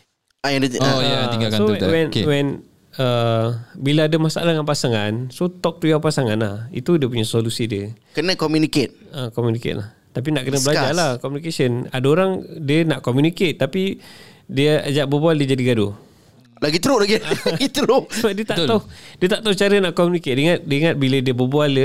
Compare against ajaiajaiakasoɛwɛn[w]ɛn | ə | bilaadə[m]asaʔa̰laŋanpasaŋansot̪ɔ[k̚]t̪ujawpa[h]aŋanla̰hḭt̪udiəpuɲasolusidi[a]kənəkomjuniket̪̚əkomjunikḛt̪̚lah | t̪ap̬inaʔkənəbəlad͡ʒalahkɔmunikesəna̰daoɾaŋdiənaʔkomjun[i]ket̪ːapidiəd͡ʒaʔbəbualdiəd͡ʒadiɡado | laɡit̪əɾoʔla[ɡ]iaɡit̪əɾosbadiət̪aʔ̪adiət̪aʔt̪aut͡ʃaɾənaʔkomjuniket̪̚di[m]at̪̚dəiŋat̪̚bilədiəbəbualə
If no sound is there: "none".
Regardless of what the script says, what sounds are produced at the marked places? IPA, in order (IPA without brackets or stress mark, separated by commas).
w, m, k̚, s, ə, i, ɡ, ŋ